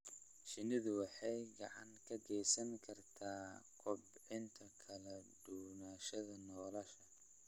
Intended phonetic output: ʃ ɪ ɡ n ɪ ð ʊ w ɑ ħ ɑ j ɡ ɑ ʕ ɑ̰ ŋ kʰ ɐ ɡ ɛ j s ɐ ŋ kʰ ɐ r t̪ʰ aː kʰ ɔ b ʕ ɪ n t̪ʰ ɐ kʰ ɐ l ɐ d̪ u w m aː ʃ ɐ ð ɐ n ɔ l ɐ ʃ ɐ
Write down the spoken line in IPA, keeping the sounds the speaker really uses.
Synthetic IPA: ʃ ɪ n ɪ ð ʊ w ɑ ħ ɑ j ɡ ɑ ʕ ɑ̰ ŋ kʰ ɐ ɡ ɛ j s ɐ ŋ kʰ ɐ r t̪ʰ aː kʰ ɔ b ʕ ɪ n t̪ʰ ɐ kʰ ɐ l ɐ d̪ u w n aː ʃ ɐ ð ɐ n ɔː l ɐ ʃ ɐ